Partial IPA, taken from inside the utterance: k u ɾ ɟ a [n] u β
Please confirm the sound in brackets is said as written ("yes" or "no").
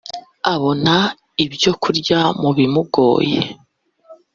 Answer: no